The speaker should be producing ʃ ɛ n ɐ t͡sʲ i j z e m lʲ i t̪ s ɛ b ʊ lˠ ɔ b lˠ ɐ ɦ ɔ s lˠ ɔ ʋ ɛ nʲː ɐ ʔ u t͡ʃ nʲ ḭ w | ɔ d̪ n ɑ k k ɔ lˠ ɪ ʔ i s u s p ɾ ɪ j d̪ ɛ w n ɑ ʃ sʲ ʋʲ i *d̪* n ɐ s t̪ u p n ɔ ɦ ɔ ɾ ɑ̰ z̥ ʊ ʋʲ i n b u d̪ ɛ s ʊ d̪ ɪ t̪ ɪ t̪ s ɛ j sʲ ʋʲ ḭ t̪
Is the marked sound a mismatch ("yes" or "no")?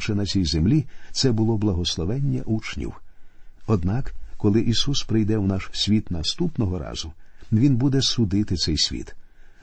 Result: yes